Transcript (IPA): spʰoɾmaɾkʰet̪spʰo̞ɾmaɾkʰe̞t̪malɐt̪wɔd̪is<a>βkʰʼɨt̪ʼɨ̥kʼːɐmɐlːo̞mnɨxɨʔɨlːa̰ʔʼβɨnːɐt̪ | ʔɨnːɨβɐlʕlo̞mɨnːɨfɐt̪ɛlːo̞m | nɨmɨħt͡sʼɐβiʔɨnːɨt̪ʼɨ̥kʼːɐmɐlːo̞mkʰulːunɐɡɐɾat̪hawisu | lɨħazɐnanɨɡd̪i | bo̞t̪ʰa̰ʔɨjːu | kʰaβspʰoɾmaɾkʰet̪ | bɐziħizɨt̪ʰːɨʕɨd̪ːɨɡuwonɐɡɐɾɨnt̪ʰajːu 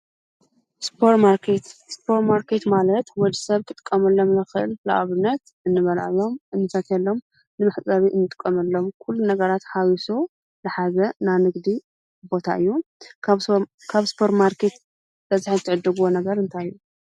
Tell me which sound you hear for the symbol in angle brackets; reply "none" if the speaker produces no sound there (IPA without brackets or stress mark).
ɐ